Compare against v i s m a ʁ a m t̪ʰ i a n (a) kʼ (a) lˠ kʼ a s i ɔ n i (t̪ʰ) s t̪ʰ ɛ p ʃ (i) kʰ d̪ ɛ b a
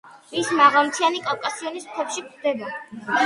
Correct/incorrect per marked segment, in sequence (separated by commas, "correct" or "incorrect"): incorrect, correct, incorrect, correct